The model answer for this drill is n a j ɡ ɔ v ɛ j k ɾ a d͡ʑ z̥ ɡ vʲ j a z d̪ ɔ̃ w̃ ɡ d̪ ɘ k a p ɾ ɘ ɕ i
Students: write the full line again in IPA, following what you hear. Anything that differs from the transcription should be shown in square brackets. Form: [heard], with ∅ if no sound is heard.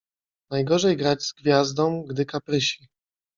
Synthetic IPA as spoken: n a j ɡ ɔ [ʐ] ɛ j [ɡ] ɾ a d͡ʑ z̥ ɡ vʲ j a z d̪ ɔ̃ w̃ ɡ d̪ ɘ k a p ɾ ɘ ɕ i